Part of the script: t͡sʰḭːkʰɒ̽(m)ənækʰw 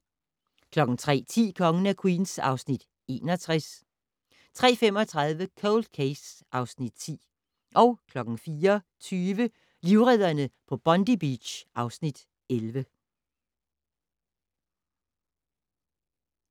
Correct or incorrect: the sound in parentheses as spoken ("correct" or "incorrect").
incorrect